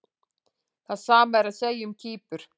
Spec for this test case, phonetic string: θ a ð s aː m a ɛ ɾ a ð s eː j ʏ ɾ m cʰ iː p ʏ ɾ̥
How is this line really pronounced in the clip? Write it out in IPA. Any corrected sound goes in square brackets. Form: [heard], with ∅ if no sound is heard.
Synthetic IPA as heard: θ a ð s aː m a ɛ ɾ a ð s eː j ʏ [∅] m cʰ iː p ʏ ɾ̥